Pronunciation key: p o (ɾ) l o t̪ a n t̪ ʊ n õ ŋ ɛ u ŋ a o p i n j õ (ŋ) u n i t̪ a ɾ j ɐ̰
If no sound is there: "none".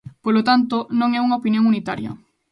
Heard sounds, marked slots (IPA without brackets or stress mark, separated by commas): none, ŋ